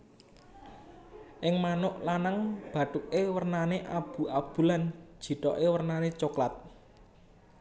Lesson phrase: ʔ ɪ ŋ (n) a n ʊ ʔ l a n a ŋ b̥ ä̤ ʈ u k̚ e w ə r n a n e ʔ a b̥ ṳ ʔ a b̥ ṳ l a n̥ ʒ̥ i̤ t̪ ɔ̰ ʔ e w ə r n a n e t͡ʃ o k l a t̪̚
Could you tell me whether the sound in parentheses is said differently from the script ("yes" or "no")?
yes